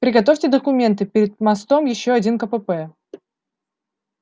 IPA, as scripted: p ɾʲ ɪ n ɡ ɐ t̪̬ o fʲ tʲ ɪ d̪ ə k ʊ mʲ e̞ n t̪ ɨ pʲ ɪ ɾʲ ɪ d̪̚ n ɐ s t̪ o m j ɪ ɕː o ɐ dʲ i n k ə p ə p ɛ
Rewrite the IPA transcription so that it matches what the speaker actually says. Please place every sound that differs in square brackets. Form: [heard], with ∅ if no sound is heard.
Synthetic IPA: p ɾʲ ɪ [∅] ɡ ɐ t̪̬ o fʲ tʲ ɪ d̪ ə k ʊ mʲ e̞ n t̪ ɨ pʲ ɪ ɾʲ ɪ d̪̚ [m] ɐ s t̪ o m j ɪ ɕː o ɐ dʲ i n k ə p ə p ɛ